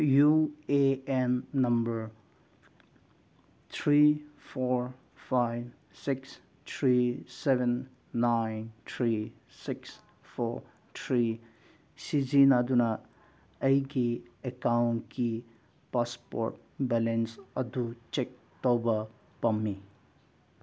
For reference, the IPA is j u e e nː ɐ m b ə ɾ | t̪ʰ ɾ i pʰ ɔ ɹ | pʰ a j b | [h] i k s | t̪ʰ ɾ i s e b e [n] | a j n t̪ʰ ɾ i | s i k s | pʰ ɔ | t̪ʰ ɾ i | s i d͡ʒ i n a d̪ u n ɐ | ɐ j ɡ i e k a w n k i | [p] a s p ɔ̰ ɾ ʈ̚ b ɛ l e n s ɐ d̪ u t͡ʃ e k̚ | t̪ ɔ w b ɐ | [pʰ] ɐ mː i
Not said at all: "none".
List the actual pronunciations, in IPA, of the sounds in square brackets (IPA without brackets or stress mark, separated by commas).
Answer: s, nː, p, p